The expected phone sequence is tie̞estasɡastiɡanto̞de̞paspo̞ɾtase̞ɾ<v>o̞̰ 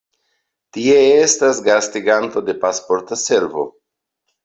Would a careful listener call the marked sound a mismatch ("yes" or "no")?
no